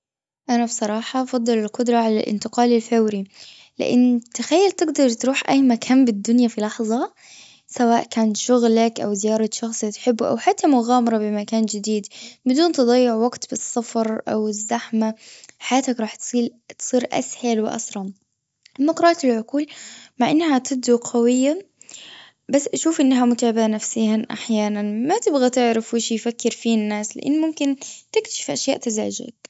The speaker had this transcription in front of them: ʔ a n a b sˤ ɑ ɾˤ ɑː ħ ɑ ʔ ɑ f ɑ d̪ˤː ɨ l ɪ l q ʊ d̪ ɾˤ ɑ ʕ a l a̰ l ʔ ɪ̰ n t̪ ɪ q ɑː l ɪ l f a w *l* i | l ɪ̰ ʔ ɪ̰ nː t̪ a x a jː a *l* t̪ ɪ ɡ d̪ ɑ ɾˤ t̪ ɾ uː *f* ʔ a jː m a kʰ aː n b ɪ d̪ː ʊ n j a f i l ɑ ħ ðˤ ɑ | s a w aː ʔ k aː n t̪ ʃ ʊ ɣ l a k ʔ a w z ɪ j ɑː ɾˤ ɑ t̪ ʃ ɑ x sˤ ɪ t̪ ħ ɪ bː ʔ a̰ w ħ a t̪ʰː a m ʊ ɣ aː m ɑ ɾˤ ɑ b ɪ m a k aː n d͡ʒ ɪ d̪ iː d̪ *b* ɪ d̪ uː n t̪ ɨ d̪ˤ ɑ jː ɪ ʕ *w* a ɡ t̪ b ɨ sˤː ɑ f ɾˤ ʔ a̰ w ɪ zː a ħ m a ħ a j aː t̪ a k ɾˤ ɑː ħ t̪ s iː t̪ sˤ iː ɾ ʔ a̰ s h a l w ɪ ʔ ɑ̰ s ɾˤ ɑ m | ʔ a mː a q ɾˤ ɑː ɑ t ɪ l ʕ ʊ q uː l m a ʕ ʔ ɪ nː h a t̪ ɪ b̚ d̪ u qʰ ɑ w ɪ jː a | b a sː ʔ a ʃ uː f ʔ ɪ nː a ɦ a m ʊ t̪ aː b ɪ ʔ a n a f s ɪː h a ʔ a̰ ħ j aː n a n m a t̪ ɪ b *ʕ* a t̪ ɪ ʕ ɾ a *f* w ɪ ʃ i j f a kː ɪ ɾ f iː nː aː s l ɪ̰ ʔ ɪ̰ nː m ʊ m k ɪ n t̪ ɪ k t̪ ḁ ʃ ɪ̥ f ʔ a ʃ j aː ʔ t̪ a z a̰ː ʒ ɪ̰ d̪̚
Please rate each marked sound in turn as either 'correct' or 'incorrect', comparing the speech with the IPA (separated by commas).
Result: incorrect, correct, incorrect, correct, correct, incorrect, correct